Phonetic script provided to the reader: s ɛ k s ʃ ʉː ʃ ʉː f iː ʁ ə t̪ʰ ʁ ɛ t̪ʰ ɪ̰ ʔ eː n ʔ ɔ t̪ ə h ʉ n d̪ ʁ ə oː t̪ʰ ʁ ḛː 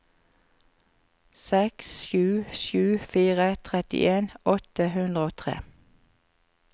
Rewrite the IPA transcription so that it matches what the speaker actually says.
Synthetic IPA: s ɛ k s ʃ ʉː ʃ ʉː f iː ʁ ə t̪ʰ ʁ ɛ t̪ ɪ̰ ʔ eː n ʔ ɔ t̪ ə h ʉ n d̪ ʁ ə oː t̪ʰ ʁ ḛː